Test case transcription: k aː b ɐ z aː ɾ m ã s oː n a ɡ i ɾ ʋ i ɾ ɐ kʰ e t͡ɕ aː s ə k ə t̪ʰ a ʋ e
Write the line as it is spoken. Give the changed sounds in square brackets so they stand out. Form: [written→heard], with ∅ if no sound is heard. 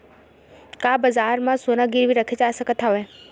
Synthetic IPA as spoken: k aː b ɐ z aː ɾ m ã s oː n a ɡ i ɾ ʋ i ɾ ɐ kʰ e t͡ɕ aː s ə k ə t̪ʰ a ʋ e